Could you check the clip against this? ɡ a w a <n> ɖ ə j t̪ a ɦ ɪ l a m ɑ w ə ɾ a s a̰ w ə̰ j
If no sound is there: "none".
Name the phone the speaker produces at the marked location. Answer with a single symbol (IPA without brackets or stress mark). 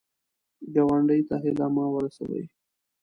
ɳ